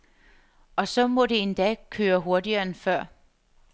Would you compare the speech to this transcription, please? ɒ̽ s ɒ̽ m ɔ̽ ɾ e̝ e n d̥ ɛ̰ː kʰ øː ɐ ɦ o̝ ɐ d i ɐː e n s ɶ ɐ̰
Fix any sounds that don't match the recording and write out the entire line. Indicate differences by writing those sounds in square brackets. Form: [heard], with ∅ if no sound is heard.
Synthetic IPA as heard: ɒ̽ s ɒ̽ m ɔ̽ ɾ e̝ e n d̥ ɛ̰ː kʰ øː ɐ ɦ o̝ ɐ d i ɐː e n [f] ɶ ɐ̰